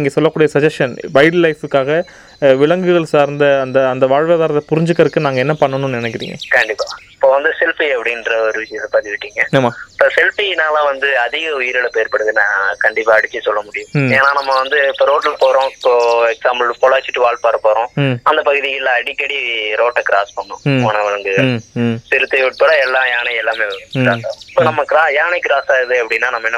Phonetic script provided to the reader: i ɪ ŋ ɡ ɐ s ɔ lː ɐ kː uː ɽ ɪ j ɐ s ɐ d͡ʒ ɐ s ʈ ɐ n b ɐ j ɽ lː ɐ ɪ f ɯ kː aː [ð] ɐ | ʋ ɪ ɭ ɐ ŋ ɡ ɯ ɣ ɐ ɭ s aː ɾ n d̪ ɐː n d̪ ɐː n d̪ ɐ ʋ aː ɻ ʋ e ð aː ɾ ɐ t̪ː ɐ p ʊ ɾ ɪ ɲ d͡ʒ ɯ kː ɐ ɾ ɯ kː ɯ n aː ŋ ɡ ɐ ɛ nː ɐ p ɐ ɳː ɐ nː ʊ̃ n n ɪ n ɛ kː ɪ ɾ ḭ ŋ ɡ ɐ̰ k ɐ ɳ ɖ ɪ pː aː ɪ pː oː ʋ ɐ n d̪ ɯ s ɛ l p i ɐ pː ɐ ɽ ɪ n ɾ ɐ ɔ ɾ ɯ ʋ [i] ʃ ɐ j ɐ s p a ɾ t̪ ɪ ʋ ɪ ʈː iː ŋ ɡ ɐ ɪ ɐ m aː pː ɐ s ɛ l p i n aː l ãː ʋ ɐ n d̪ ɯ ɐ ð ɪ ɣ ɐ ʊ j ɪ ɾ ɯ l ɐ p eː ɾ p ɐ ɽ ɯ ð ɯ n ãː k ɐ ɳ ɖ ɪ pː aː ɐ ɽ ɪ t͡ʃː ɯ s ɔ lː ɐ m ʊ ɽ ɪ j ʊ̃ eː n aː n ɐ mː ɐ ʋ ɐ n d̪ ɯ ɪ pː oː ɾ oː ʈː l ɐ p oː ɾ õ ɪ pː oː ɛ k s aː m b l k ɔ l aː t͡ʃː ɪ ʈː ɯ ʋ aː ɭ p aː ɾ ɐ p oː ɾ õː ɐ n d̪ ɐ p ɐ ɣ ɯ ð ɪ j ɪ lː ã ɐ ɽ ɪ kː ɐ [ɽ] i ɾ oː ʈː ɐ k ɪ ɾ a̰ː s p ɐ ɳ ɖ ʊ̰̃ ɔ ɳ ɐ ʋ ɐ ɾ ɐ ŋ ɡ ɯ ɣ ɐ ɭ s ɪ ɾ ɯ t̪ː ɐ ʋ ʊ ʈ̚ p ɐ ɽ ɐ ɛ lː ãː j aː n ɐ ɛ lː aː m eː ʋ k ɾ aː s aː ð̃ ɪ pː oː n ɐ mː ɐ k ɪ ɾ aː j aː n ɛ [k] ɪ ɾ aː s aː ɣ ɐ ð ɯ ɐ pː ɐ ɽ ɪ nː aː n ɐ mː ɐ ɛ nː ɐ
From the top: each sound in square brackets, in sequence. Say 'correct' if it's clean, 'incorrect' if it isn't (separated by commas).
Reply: incorrect, incorrect, correct, correct